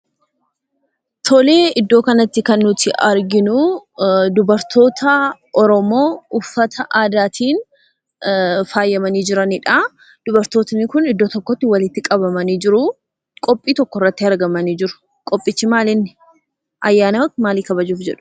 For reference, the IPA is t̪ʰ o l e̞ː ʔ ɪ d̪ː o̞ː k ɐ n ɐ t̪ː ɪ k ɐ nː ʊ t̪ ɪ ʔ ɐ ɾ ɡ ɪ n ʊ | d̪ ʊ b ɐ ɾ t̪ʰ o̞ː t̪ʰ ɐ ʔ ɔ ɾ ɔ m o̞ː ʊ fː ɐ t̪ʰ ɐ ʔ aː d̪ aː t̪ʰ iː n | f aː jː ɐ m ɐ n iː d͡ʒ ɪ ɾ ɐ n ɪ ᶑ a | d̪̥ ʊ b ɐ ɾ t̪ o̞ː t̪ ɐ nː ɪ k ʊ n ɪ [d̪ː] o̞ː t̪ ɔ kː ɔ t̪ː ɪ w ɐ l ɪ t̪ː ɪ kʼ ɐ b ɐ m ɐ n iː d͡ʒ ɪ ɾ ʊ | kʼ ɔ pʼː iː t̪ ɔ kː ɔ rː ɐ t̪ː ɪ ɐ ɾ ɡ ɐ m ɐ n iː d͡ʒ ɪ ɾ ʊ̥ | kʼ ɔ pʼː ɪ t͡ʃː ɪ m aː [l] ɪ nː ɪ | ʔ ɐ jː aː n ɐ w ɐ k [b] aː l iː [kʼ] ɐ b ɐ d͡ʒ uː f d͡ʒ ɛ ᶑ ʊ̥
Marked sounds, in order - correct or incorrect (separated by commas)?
correct, correct, incorrect, incorrect